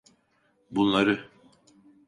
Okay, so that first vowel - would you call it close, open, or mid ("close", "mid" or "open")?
close